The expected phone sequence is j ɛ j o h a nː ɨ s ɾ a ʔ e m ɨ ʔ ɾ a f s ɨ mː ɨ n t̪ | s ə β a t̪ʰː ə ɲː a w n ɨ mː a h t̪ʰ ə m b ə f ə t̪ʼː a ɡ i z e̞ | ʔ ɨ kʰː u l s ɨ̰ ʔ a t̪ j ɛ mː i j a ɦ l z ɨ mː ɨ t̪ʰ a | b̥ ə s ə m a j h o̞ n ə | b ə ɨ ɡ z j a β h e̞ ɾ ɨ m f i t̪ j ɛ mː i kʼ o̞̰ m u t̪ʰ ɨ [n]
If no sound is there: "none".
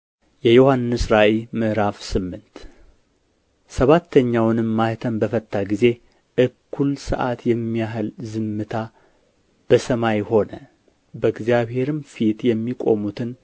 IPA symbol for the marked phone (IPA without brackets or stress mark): n